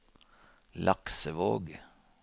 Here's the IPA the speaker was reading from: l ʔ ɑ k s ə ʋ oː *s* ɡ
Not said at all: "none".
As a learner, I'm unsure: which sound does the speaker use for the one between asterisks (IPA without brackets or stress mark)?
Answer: none